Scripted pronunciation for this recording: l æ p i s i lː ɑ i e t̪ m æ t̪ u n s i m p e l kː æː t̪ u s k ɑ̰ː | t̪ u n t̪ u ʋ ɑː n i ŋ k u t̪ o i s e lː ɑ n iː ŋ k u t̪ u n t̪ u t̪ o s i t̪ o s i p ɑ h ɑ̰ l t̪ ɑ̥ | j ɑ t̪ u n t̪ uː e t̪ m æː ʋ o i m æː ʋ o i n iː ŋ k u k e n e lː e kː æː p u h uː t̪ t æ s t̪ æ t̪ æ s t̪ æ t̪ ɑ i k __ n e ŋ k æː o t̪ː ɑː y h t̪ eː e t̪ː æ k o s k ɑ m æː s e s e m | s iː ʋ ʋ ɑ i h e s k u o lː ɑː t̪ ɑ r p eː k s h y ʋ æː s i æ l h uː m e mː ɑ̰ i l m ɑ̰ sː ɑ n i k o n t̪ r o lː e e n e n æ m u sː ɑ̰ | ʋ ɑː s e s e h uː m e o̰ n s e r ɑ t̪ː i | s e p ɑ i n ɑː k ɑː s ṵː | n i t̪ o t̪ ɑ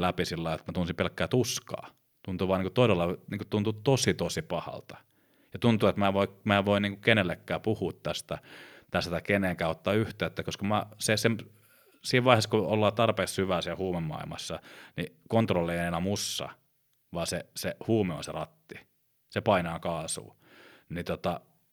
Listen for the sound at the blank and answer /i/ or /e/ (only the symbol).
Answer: e